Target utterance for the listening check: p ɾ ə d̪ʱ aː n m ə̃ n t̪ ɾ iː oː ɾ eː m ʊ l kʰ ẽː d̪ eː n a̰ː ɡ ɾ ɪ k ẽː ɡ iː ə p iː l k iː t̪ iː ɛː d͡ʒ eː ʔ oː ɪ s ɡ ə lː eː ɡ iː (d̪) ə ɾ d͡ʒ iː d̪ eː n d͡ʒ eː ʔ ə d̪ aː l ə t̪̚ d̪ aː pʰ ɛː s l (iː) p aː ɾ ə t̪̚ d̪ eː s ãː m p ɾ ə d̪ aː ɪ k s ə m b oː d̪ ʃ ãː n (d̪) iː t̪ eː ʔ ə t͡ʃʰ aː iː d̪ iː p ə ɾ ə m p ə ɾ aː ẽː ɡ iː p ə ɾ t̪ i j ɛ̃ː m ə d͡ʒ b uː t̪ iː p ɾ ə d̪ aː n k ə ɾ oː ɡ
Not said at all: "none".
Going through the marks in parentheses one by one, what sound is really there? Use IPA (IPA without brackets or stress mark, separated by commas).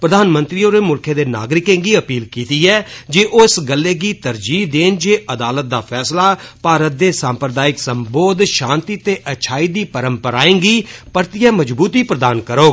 t̪, aː, t̪